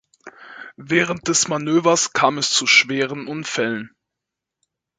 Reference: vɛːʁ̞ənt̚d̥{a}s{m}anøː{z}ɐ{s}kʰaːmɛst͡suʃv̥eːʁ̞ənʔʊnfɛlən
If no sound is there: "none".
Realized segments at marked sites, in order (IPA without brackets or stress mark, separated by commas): ɛ, m, v, s